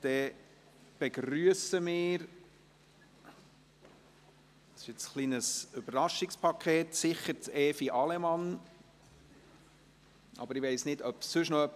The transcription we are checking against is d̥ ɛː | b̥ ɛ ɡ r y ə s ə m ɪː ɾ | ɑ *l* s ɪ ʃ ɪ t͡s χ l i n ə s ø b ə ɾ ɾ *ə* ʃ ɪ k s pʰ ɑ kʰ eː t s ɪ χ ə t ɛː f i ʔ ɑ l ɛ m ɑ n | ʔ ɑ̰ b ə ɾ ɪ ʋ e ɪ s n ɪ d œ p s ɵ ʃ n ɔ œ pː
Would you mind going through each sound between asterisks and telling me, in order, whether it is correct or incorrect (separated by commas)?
incorrect, incorrect